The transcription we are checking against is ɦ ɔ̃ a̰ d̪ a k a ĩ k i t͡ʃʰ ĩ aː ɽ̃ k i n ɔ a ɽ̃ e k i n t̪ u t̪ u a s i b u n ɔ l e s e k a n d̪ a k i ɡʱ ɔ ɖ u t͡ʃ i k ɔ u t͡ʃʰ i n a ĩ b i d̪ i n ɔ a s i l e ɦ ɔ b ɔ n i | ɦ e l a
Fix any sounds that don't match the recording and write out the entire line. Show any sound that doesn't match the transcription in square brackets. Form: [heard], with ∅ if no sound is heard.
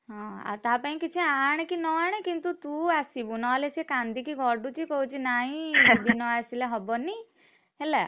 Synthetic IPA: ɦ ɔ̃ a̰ [t̪] a [p] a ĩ k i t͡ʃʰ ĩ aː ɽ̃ k i n ɔ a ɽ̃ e k i n t̪ u t̪ u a s i b u n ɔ l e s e k a n d̪ [i] k i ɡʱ ɔ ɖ u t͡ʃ i k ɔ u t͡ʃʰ i n a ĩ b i d̪ i n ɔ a s i l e ɦ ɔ b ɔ n i | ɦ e l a